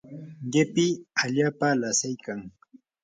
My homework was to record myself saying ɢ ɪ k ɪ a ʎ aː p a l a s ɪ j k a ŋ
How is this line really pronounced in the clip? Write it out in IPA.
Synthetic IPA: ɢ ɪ p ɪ a ʎ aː p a l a s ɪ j k a ŋ

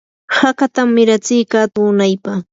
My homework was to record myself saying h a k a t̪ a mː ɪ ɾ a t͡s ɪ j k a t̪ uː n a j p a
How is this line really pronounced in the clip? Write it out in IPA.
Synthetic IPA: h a k a t̪ a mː ɪ ɾ a t͡s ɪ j k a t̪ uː n a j p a

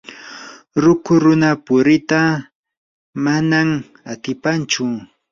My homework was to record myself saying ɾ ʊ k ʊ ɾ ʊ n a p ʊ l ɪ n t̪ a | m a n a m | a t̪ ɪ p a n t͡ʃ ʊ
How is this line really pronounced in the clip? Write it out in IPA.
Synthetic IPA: ɾ ʊ k ʊ ɾ ʊ n a p ʊ ɾ ɪ t̪ a | m a n a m | a t̪ ɪ p a n t͡ʃ ʊ

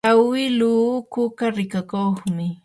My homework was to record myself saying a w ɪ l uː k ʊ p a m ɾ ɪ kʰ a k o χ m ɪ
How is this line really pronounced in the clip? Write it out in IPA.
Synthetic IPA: a w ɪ l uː k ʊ k a ɾ ɪ k a k o χ m ɪ

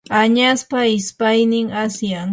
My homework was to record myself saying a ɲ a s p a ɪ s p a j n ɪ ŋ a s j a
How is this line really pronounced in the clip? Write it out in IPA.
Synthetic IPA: a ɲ a s p a ɪ s p a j n ɪ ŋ a s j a

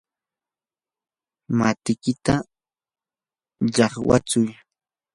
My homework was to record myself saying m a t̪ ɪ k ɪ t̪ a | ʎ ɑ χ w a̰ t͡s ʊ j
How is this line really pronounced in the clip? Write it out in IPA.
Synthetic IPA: m a t̪ ɪ k ɪ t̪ a | ʎ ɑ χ w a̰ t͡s ʊ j

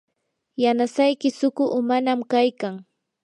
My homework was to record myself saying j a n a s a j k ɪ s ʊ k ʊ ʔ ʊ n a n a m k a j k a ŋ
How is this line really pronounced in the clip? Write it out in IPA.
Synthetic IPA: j a n a s a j k ɪ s ʊ k ʊ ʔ ʊ m a n a m k a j k a ŋ

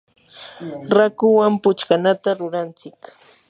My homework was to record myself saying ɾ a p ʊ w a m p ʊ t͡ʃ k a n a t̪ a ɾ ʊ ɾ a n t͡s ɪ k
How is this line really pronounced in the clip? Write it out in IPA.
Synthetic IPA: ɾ a k ʊ w a m p ʊ t͡ʃ k a n a t̪ a ɾ ʊ ɾ a n t͡s ɪ k

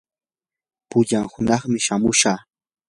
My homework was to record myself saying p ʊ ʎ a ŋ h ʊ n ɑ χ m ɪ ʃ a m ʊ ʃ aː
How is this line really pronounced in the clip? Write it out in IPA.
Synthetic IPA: p ʊ ʎ a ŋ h ʊ n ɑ χ m ɪ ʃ a m ʊ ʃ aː

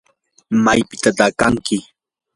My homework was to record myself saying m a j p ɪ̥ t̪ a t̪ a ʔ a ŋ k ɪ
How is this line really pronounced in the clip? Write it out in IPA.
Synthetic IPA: m a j p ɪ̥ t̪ a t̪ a k a ŋ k ɪ

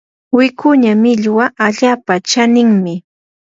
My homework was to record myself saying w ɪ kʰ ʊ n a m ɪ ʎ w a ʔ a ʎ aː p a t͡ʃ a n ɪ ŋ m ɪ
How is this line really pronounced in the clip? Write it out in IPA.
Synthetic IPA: w ɪ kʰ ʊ ɲ a m ɪ ʎ w a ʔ a ʎ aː p a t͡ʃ a n ɪ ŋ m ɪ

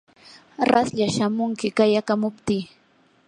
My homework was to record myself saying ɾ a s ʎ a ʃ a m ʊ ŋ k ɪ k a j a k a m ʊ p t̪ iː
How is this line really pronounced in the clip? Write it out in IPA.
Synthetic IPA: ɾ a s ʎ a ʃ a m ʊ ŋ k ɪ k a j a k a m ʊ p t̪ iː

